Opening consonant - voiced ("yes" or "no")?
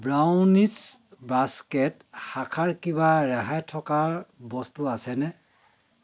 yes